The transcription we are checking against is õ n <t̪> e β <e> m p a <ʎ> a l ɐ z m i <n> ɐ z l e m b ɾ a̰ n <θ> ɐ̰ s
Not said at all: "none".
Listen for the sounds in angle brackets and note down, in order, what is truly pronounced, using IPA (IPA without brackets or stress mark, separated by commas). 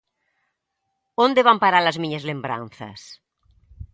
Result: d̪, a, ɾ, ɲ, θ